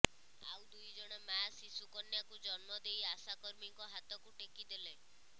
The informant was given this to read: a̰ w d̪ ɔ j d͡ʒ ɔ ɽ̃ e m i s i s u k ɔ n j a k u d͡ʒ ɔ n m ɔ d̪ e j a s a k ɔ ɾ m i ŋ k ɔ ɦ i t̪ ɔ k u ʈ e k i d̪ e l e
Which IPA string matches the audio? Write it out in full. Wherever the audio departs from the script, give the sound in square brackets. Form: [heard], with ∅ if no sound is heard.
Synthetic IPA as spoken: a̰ w d̪ [u] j d͡ʒ ɔ ɽ̃ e m [a] s i s u k ɔ n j a k u d͡ʒ ɔ n m ɔ d̪ e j a s a k ɔ ɾ m i ŋ k ɔ ɦ [a] t̪ ɔ k u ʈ e k i d̪ e l e